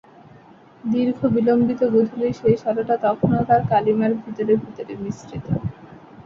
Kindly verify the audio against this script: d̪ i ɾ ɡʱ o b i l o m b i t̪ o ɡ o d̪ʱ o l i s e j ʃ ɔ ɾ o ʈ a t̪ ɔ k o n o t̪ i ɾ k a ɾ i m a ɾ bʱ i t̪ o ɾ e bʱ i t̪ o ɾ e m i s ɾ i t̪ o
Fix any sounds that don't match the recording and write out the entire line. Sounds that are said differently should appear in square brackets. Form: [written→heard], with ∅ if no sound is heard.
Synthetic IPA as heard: d̪ i ɾ ɡʱ o b i l o m b i t̪ o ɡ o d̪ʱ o l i [s→ʃ] e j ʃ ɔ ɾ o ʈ a t̪ ɔ [k→kʰ] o n o t̪ [i→a] ɾ k a [ɾ→l] i m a ɾ bʱ i t̪ o ɾ e bʱ i t̪ o ɾ e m i s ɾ i t̪ o

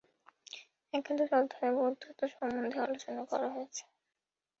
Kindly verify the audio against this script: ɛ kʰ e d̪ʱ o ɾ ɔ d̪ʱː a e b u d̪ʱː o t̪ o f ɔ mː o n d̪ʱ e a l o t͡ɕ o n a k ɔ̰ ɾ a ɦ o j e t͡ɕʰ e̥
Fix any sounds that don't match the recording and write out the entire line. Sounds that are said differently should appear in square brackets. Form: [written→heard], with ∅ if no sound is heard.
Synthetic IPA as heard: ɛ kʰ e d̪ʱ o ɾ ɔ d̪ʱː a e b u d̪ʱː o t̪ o [f→ʃ] ɔ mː o n d̪ʱ e a l o t͡ɕ o n a k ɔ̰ ɾ a ɦ o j e t͡ɕʰ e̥

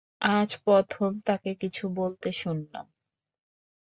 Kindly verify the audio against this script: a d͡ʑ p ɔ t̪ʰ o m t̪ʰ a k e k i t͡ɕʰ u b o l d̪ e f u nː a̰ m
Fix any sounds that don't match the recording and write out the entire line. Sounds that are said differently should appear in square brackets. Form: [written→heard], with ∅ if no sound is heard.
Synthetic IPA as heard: a d͡ʑ p ɔ t̪ʰ o m [t̪ʰ→t̪] a k e k i t͡ɕʰ u b o l [d̪→t̪] e [f→ʃ] u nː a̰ m

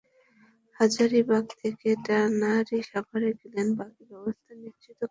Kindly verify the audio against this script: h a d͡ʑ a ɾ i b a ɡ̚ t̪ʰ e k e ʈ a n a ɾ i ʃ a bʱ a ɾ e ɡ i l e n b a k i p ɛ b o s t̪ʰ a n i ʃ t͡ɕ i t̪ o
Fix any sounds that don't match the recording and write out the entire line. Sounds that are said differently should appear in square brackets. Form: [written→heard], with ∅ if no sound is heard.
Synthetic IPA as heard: h a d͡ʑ a ɾ i b a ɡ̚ t̪ʰ e k e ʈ a n a ɾ i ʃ a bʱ a ɾ e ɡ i l e n b a k i [p→b] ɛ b o s t̪ʰ a n i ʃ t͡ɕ i t̪ o

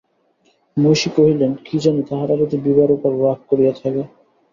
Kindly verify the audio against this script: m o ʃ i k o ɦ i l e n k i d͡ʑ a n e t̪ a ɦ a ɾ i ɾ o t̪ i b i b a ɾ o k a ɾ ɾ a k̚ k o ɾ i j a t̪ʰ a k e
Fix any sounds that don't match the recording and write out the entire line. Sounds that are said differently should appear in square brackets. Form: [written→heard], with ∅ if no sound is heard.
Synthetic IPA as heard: m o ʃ i k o ɦ i l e n k i d͡ʑ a n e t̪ a ɦ a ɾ [i→a] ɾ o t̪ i b i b a ɾ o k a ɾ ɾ a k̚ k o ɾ i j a t̪ʰ a k e

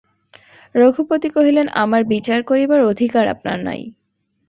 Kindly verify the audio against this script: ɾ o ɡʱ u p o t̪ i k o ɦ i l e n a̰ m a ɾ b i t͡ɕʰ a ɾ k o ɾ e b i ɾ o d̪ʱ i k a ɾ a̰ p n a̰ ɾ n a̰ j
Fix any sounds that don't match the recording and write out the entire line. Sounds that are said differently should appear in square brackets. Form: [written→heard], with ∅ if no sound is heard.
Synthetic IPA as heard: ɾ o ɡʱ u p o t̪ i k o ɦ i l e n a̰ m a ɾ b i [t͡ɕʰ→t͡ɕ] a ɾ k o ɾ [e→i] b [i→a] ɾ o d̪ʱ i k a ɾ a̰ p n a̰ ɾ n a̰ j

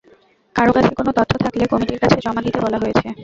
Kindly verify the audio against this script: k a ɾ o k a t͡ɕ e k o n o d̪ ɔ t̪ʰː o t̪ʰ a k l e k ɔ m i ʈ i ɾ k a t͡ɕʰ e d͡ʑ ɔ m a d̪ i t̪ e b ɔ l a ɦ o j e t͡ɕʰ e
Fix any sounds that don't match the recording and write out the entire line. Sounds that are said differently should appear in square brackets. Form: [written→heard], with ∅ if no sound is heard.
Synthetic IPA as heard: k a ɾ o k a [t͡ɕ→t͡ɕʰ] e k o n o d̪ ɔ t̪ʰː o t̪ʰ a k l e k ɔ m i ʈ i ɾ k a t͡ɕʰ e d͡ʑ ɔ m a d̪ i t̪ e b ɔ l a ɦ o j e t͡ɕʰ e

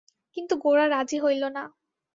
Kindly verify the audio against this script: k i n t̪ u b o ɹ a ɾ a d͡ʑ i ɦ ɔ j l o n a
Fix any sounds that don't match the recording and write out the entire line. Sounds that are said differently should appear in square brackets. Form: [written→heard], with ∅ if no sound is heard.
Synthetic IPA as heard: k i n t̪ u [b→ɡ] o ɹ a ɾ a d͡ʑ i ɦ [ɔ→o] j l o n a

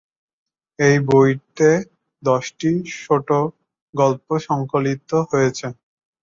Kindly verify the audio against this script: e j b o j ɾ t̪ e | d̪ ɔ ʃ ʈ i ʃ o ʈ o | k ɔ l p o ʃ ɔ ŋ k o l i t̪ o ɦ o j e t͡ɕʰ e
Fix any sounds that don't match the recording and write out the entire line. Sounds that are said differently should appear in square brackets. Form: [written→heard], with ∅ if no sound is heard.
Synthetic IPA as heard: e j b o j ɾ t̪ e | d̪ ɔ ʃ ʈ i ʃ o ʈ o | [k→ɡ] ɔ l p o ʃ ɔ ŋ k o l i t̪ o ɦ o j e t͡ɕʰ e

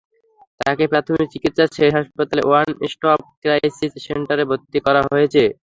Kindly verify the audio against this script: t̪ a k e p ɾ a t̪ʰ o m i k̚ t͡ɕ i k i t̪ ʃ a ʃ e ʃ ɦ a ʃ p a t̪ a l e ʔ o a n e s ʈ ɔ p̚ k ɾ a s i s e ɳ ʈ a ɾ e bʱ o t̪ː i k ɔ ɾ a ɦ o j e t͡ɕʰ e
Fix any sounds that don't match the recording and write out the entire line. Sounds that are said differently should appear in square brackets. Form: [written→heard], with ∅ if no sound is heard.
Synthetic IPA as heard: t̪ a k e p ɾ a t̪ʰ o m i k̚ t͡ɕ i k i t̪ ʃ a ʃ e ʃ ɦ a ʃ p a t̪ a l e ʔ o a n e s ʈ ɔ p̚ k ɾ a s i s e ɳ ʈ a ɾ e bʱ o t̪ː i k ɔ ɾ a ɦ o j e t͡ɕʰ e

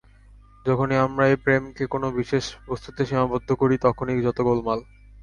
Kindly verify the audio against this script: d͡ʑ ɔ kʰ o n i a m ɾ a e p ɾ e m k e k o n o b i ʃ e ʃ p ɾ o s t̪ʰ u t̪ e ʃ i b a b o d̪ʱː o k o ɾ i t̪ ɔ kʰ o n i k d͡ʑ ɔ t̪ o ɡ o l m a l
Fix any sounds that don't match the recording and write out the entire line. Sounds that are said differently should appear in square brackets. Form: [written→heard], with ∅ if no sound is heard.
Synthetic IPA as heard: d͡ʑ ɔ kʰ o n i a m ɾ a e p ɾ e m k e k o n o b i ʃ e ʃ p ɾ o s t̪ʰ u t̪ e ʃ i [b→m] a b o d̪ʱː o k o ɾ i t̪ ɔ kʰ o n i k d͡ʑ ɔ t̪ o ɡ o l m a l

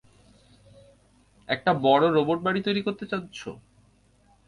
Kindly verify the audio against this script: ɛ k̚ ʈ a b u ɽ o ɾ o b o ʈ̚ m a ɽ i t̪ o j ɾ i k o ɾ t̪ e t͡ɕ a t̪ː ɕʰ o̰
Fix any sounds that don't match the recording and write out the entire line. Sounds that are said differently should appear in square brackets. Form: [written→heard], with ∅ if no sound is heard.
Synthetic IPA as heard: ɛ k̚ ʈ a b [u→ɔ] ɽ o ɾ o b o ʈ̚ [m→b] a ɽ i t̪ o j ɾ i k o ɾ t̪ e t͡ɕ a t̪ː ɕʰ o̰

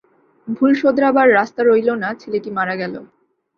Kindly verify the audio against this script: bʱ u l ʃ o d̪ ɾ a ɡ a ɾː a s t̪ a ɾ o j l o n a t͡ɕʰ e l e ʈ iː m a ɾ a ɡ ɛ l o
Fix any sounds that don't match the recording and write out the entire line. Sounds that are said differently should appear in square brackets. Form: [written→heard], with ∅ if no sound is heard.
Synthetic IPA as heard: bʱ u l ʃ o d̪ ɾ a [ɡ→b] a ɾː a s t̪ a ɾ o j l o n a t͡ɕʰ e l e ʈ [iː→i] m a ɾ a ɡ ɛ l o

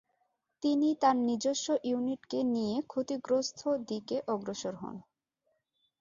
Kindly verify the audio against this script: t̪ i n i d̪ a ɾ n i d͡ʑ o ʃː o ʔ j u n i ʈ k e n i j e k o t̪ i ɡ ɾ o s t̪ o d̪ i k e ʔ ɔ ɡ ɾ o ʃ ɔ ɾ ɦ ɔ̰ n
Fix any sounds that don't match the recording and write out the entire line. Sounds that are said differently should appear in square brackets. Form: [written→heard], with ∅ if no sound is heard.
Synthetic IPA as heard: t̪ i n i [d̪→t̪] a ɾ n i d͡ʑ o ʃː o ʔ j u n i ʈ k e n i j e [k→kʰ] o t̪ i ɡ ɾ o s [t̪→t̪ʰ] o d̪ i k e ʔ ɔ ɡ ɾ o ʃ [ɔ→o] ɾ ɦ ɔ̰ n

